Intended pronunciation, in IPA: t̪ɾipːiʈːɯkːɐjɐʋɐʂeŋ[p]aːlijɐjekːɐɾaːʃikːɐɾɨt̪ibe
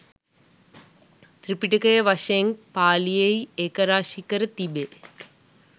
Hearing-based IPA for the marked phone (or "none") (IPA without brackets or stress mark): p